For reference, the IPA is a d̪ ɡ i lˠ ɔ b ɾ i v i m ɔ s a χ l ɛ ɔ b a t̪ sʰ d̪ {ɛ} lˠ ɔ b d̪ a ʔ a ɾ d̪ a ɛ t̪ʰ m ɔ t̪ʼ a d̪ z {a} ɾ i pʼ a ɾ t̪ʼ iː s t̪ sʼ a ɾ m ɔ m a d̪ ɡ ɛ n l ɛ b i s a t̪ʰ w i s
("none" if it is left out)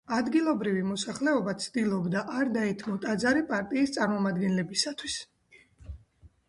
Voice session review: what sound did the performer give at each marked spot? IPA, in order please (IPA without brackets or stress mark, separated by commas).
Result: i, a